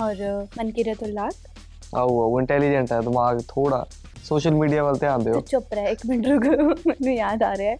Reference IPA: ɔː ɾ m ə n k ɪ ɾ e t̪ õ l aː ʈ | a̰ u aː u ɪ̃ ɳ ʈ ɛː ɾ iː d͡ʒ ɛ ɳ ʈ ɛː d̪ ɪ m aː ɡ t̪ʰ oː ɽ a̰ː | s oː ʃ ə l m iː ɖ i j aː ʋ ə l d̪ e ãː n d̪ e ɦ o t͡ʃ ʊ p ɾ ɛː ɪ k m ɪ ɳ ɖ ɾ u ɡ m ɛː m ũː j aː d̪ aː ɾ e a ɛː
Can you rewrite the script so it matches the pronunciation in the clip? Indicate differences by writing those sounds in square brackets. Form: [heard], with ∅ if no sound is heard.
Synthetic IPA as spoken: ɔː ɾ m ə n k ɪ ɾ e t̪ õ l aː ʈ | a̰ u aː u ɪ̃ ɳ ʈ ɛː [l] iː d͡ʒ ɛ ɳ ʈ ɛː d̪ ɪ m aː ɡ t̪ʰ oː ɽ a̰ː | s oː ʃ ə l m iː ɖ i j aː ʋ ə l [t̪] e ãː n d̪ e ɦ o t͡ʃ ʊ p ɾ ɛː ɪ k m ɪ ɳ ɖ ɾ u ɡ m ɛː [n] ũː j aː d̪ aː ɾ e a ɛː